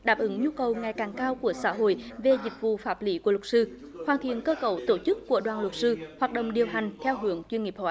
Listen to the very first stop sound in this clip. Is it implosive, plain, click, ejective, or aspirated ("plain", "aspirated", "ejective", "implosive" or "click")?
implosive